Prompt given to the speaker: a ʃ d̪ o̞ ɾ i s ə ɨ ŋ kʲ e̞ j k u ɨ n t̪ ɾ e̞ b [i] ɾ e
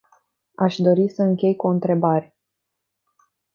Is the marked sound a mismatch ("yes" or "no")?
yes